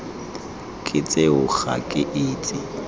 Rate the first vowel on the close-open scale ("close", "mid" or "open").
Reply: close